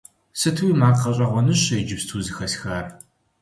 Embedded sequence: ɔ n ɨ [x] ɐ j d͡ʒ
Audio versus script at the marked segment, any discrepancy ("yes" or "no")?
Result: yes